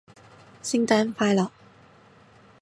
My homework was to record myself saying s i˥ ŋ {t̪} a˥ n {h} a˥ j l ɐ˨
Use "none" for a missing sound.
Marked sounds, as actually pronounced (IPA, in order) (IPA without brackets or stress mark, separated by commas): t̪, f